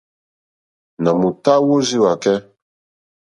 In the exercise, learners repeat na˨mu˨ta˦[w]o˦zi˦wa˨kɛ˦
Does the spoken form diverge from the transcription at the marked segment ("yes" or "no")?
no